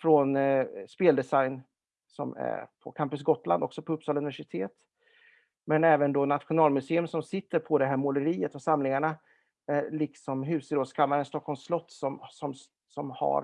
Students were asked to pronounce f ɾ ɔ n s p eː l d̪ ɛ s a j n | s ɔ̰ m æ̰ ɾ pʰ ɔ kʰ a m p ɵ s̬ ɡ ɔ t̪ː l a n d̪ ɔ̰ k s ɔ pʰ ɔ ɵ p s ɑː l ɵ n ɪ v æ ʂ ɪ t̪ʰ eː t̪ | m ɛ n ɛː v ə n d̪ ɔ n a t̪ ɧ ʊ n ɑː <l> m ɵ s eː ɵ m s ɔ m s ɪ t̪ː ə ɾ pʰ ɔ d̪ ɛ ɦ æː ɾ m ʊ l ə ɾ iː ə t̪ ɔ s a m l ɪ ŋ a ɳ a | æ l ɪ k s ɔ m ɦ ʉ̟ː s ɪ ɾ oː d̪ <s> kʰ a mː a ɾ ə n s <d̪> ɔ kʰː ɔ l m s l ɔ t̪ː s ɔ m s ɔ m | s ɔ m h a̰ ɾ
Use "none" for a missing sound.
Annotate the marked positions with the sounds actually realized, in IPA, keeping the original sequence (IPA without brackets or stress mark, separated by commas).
l, s, t̪